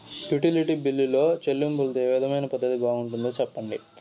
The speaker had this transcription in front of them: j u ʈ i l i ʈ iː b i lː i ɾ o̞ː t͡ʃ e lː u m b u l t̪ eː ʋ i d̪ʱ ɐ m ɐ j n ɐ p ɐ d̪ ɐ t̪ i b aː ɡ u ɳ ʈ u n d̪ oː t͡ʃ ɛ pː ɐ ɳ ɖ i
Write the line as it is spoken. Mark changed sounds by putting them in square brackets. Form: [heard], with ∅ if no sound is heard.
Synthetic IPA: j u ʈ i l i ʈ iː b i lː i [l] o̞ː t͡ʃ e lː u m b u l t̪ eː ʋ i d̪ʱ ɐ m ɐ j n ɐ p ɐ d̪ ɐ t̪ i b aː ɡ u ɳ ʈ u n d̪ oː t͡ʃ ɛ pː ɐ ɳ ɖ i

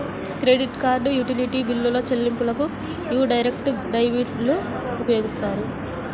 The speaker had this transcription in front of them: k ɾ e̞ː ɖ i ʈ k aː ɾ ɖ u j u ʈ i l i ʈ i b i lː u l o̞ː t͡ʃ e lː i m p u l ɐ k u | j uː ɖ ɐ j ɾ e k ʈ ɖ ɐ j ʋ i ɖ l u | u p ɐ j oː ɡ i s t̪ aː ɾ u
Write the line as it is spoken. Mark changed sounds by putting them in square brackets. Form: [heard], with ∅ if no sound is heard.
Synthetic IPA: k ɾ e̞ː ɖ i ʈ k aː ɾ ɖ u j u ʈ i l i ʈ i b i lː u l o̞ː t͡ʃ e lː i m p u l ɐ k u | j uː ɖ ɐ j ɾ e k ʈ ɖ ɐ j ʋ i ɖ l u | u p ɐ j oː ɡ i s t̪ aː ɾ u

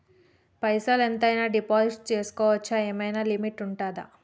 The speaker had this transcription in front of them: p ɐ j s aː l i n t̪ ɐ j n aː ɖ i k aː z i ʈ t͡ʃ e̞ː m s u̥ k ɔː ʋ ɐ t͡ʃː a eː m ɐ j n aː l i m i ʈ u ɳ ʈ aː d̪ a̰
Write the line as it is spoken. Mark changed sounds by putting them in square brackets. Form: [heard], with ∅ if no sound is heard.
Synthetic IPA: p ɐ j s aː l [e] n t̪ ɐ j n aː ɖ i [p] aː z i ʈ t͡ʃ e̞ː [∅] s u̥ k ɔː ʋ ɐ t͡ʃː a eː m ɐ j n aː l i m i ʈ u ɳ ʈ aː d̪ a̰

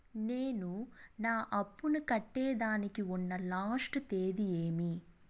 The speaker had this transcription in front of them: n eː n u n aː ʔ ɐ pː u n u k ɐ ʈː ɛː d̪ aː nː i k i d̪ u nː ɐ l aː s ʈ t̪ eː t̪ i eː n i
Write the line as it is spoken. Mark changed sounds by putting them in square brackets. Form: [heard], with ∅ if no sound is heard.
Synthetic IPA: n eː n u n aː ʔ ɐ pː u n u k ɐ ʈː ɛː d̪ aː [n] i k i [∅] u nː ɐ l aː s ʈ t̪ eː [d̪] i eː [m] i

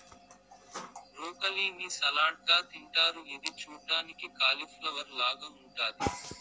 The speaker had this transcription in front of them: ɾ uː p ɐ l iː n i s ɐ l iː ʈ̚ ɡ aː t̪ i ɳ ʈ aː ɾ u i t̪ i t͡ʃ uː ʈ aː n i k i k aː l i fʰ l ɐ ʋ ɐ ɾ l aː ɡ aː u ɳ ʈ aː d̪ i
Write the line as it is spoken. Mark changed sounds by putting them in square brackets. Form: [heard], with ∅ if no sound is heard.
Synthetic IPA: ɾ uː [k] ɐ l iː n i s ɐ l [aː] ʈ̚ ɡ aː t̪ i ɳ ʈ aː ɾ u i [d̪] i t͡ʃ uː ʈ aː n i k i k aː l i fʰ l ɐ ʋ ɐ ɾ l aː ɡ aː u ɳ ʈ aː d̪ i

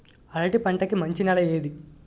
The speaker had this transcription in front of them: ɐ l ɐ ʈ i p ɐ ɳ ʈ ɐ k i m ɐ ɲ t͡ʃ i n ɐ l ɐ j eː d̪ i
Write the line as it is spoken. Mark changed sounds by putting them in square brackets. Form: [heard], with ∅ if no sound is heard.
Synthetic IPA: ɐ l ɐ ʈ i p ɐ ɳ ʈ ɐ k i m ɐ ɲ t͡ʃ i n ɐ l ɐ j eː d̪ i

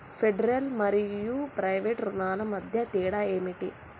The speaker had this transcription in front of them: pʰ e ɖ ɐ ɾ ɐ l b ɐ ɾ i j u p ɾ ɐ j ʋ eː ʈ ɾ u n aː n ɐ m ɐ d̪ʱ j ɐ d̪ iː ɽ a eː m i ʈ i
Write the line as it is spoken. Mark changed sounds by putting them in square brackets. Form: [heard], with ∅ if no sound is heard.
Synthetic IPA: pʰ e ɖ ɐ ɾ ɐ l [m] ɐ ɾ i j u p ɾ ɐ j ʋ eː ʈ ɾ u n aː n ɐ m ɐ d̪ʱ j ɐ [t̪] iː ɽ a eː m i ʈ i

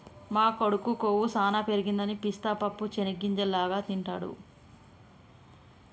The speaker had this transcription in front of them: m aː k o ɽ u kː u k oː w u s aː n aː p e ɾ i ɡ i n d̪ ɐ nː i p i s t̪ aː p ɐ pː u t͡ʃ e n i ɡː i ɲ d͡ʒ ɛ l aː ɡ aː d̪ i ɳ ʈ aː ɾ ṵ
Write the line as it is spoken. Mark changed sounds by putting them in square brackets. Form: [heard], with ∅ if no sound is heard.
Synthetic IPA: m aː k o ɽ u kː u k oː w u s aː n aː p e ɾ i ɡ i n d̪ ɐ [n] i p i s t̪ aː p ɐ pː u t͡ʃ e n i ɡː i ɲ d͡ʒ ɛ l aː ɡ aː [t̪] i ɳ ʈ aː [ɽ] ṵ

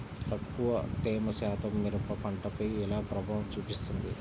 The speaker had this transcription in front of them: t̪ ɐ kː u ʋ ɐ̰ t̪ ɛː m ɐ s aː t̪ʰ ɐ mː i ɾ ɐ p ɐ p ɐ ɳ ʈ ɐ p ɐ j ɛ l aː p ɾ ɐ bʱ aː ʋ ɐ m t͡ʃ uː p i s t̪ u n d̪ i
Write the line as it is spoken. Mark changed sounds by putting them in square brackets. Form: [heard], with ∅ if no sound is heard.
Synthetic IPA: t̪ ɐ kː u ʋ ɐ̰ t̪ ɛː m ɐ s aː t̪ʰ ɐ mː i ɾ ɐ p ɐ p ɐ ɳ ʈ ɐ p ɐ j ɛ l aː p ɾ ɐ bʱ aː ʋ ɐ m t͡ʃ uː p i s t̪ u n d̪ i

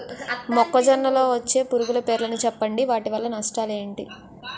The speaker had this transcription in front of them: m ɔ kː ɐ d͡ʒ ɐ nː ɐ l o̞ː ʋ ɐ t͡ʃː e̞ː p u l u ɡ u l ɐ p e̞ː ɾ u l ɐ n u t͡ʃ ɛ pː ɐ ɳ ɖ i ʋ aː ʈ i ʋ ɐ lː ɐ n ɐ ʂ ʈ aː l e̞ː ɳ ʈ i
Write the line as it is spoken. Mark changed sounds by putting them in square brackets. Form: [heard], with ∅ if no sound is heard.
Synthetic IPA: m ɔ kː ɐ d͡ʒ ɐ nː ɐ l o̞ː ʋ ɐ t͡ʃː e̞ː p u [ɾ] u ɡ u l ɐ p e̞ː ɾ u l ɐ n u t͡ʃ ɛ pː ɐ ɳ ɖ i ʋ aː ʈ i ʋ ɐ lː ɐ n ɐ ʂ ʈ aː l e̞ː ɳ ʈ i

